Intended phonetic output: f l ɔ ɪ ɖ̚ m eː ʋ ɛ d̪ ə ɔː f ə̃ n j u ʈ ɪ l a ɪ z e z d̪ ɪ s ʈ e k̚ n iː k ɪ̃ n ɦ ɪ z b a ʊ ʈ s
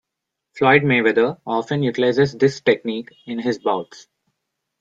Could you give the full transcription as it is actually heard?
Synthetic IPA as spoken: f l ɔ ɪ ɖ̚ m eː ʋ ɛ d̪ ə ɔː f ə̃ n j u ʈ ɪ l a ɪ z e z d̪ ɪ s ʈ e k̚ n iː k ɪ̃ n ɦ ɪ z b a ʊ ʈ s

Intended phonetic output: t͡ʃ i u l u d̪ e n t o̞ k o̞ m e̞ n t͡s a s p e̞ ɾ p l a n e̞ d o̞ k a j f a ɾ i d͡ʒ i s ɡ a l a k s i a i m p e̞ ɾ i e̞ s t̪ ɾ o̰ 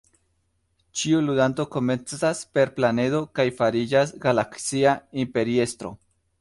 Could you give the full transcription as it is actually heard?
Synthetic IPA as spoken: t͡ʃ i u l u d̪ a n t o̞ k o̞ m e̞ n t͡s a s p e̞ ɾ p l a n e̞ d o̞ k a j f a ɾ i d͡ʒ a s ɡ a l a k s i a i m p e̞ ɾ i e̞ s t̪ ɾ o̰

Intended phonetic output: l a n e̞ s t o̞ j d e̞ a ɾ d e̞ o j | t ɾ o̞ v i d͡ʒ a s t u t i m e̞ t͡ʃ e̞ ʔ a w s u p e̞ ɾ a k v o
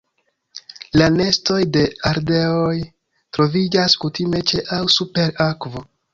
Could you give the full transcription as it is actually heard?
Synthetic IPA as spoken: l a n e̞ s t o̞ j d e̞ a ɾ d e̞ o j | t ɾ o̞ v i d͡ʒ a s k u t i m e̞ t͡ʃ e̞ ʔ a w s u p e̞ ɾ a k v o

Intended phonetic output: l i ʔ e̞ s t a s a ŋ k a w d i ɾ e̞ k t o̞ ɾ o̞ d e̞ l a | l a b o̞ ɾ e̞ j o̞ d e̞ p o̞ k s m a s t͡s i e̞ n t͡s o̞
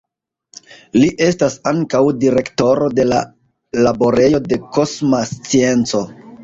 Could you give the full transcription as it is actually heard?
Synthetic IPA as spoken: l i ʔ e̞ s t a s a ŋ k a w d i ɾ e̞ k t o̞ ɾ o̞ d e̞ l a | l a b o̞ ɾ e̞ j o̞ d e̞ k o̞ s m a s t͡s i e̞ n t͡s o̞

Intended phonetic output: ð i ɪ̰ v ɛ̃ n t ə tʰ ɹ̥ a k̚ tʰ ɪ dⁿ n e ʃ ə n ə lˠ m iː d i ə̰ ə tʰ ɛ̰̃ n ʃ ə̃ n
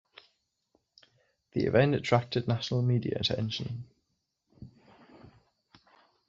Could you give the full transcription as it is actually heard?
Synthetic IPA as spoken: ð i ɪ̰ v ɛ̃ n t ə tʰ ɹ̥ a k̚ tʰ ɪ dⁿ n a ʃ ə n ə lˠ m iː d i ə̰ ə tʰ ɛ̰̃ n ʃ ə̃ n

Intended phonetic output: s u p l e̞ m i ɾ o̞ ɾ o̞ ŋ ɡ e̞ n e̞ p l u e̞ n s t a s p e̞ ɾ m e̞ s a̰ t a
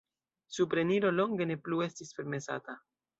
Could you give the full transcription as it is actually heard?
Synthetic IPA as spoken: s u p ɾ e̞ n i ɾ o̞ l o̞ ŋ ɡ e̞ n e̞ p l u e̞ s t i s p e̞ ɾ m e̞ s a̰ t a

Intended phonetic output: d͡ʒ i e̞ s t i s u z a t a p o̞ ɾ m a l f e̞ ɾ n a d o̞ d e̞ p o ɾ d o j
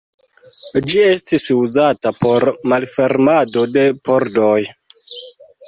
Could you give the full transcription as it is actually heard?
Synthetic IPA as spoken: d͡ʒ i e̞ s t i s u z a t a p o̞ ɾ m a l f e̞ ɾ m a d o̞ d e̞ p o ɾ d o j

